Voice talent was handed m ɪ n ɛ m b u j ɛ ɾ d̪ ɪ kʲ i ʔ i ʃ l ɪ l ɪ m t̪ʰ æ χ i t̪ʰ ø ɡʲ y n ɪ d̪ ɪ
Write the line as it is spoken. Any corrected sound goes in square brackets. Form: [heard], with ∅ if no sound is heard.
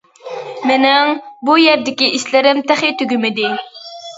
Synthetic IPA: m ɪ n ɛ [ŋ] b u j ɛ ɾ d̪ ɪ kʲ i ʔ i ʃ l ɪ [ɾ] ɪ m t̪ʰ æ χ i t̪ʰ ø ɡʲ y [m] ɪ d̪ ɪ